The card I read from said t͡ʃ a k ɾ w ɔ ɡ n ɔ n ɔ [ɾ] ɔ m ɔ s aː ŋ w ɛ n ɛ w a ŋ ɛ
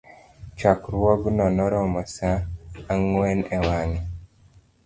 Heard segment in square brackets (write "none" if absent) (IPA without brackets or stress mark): ɾ